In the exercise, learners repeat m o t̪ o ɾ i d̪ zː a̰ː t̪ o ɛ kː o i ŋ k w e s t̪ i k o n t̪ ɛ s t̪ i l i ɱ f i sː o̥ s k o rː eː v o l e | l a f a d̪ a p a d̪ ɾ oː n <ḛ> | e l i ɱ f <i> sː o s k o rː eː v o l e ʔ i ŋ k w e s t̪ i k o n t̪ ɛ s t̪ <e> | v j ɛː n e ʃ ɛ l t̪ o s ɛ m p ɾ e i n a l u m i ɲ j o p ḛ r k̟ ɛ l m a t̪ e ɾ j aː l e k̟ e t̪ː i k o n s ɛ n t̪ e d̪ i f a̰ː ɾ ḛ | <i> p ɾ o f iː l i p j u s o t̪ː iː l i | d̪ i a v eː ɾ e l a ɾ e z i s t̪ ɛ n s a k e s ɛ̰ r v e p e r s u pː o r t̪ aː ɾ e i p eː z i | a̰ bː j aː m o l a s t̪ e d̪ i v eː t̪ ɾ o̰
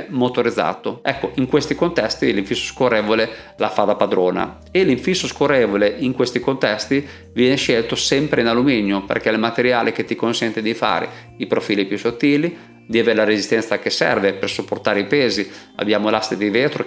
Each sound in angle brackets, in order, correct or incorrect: incorrect: a̰, correct, incorrect: i, correct

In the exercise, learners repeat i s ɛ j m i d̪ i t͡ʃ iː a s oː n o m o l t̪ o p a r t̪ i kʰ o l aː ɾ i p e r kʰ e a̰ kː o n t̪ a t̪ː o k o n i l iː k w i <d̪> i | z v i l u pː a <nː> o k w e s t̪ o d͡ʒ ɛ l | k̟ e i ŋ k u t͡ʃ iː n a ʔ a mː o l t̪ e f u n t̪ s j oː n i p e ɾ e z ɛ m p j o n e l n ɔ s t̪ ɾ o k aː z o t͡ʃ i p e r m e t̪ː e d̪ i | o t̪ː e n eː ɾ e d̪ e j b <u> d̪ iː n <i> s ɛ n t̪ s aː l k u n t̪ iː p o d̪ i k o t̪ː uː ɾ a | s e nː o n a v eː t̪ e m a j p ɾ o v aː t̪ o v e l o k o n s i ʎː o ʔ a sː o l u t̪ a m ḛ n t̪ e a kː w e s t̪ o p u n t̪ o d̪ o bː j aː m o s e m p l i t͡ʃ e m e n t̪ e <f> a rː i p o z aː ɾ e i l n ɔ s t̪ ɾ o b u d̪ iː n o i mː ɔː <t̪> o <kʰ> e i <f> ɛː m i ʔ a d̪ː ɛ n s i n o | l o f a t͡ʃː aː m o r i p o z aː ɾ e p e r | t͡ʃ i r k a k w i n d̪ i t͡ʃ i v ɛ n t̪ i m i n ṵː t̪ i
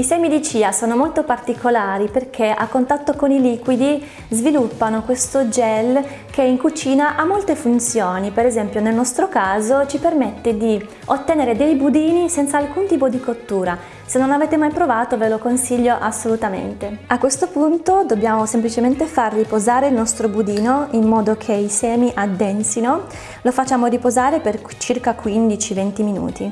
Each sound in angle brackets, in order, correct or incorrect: correct, incorrect: n, correct, correct, correct, incorrect: d̪, correct, incorrect: s

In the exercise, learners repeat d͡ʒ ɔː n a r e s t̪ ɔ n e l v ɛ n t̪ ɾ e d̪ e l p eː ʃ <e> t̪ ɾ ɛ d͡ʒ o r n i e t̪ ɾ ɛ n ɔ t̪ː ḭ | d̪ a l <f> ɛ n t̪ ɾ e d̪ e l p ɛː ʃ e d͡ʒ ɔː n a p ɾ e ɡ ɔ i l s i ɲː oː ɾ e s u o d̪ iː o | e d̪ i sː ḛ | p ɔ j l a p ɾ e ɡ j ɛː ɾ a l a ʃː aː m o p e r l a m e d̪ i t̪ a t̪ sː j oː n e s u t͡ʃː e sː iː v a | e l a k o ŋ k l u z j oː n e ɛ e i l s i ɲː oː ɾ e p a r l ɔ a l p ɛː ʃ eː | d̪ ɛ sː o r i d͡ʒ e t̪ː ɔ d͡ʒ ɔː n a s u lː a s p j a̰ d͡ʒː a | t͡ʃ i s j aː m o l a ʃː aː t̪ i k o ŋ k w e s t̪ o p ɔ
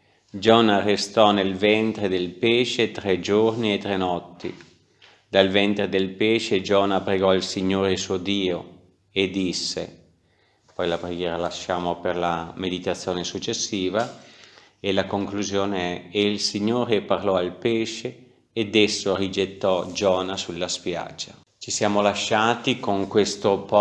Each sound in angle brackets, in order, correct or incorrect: correct, incorrect: v

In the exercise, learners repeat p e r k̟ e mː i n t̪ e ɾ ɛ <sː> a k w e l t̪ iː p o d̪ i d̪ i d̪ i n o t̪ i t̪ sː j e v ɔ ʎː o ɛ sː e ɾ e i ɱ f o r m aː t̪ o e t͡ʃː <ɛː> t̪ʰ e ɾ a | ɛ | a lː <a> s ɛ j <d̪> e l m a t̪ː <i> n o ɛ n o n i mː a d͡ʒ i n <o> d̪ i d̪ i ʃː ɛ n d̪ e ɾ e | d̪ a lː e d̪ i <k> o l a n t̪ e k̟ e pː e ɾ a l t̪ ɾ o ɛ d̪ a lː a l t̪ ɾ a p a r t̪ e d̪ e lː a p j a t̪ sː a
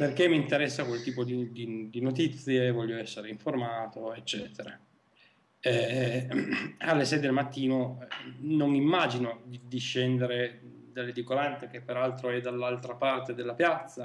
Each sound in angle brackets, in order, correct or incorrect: correct, correct, incorrect: e, correct, incorrect: iː, correct, correct

